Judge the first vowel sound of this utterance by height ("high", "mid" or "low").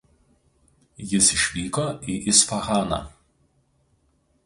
high